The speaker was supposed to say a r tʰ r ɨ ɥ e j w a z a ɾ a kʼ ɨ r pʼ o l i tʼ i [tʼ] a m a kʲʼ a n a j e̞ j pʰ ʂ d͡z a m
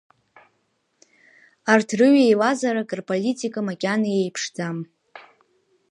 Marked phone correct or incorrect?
incorrect